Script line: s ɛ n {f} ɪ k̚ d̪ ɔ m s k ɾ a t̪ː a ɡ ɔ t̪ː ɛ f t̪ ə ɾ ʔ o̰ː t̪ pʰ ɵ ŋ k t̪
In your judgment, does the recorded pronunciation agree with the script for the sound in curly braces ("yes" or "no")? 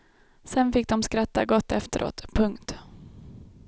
yes